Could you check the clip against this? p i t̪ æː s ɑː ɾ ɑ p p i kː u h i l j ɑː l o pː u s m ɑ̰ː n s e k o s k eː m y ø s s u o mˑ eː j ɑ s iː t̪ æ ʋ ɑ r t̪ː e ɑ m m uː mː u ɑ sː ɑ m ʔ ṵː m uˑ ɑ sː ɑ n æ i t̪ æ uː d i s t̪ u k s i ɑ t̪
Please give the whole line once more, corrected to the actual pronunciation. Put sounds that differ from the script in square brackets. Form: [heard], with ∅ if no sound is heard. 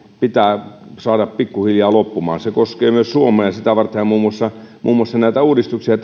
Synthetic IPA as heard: p i t̪ æː s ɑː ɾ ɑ p p i kː u h i l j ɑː l o pː u [∅] m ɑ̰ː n s e k o s k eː m y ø s s u o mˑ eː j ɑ s [i] t̪ æ ʋ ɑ r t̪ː e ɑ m m uː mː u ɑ sː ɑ m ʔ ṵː m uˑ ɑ sː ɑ n æ i t̪ æ uː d i s t̪ u k s i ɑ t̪